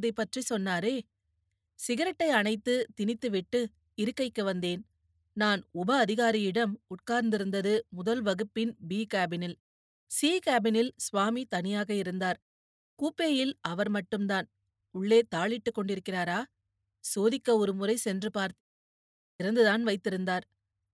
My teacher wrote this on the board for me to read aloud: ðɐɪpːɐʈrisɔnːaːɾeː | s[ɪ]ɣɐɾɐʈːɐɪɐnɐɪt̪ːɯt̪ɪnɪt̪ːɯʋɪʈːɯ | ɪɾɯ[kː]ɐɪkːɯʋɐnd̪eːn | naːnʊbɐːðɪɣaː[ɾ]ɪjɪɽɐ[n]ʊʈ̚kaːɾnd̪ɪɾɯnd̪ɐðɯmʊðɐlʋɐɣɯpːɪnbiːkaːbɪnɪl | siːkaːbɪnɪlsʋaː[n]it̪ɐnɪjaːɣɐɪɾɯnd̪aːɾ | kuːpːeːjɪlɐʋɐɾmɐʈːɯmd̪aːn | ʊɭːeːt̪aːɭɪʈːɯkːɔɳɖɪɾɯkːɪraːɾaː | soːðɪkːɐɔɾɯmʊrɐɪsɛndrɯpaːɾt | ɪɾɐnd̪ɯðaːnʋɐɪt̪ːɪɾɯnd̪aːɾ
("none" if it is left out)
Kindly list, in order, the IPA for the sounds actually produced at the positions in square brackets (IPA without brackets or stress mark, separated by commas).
ɪ, kː, ɾ, m, m